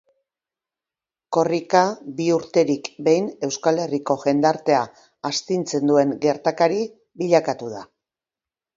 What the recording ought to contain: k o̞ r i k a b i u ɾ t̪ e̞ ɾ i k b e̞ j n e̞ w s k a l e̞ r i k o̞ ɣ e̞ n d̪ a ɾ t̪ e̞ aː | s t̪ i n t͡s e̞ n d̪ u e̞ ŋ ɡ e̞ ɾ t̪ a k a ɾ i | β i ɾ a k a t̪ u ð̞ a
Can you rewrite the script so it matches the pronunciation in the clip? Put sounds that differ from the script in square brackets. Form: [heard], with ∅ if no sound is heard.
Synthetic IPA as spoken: k o̞ r i k a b i u ɾ t̪ e̞ ɾ i k b e̞ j n e̞ w s k a l e̞ r i k o̞ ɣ e̞ n d̪ a ɾ t̪ e̞ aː | s t̪ i n t͡s e̞ n d̪ u e̞ ŋ ɡ e̞ ɾ t̪ a k a ɾ i | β i [ʎ] a k a t̪ u ð̞ a